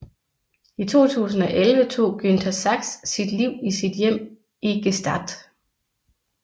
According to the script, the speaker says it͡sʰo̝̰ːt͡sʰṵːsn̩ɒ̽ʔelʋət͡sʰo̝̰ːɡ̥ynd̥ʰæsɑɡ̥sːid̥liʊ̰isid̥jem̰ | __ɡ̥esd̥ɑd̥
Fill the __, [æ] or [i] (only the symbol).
i